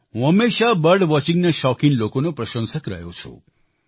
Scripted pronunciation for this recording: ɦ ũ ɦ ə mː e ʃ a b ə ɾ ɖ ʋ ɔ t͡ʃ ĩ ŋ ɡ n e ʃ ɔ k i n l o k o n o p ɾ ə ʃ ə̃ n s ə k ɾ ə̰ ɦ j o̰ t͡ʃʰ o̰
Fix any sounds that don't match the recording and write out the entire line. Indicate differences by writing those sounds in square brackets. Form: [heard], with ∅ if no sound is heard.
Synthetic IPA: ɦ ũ ɦ ə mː e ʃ a b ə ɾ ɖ ʋ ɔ t͡ʃ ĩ ŋ ɡ n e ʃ ɔ k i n l o k o n o p ɾ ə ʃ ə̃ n s ə k ɾ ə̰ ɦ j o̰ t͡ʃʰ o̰